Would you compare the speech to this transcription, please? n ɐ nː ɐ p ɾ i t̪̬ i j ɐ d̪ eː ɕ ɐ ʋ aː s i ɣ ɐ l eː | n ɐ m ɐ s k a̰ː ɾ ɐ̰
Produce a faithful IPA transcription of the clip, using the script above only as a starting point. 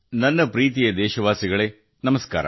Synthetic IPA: n ɐ nː ɐ p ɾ iː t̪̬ i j ɐ d̪ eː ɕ ɐ ʋ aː s i ɣ ɐ ɭ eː | n ɐ m ɐ s k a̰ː ɾ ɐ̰